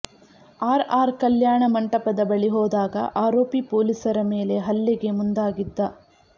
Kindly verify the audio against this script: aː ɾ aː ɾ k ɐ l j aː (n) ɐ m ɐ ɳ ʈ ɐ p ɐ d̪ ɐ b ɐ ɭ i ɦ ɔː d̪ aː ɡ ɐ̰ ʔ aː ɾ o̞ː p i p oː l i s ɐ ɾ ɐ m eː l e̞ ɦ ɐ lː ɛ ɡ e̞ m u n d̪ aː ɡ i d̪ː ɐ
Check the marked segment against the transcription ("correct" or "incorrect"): incorrect